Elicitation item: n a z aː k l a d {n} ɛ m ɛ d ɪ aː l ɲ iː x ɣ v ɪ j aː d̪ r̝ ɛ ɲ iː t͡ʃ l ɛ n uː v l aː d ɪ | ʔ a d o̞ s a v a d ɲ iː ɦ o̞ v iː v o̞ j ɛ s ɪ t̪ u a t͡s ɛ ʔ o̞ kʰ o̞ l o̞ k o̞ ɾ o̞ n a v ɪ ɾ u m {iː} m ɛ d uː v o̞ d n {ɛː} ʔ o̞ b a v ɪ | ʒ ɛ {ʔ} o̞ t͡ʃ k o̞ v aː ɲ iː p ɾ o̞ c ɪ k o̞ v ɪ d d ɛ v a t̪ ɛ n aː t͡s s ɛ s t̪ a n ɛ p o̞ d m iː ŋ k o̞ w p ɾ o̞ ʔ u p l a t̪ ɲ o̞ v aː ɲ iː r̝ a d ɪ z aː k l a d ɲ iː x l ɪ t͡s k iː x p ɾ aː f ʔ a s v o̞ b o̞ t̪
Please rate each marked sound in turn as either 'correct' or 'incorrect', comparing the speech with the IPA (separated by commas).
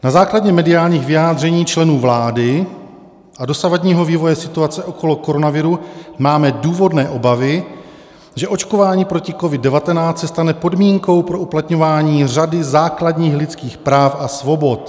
incorrect, incorrect, correct, correct